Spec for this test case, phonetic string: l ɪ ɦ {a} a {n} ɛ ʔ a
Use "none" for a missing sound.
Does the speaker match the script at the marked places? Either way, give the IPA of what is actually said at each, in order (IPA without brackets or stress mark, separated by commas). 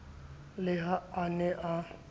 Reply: a, n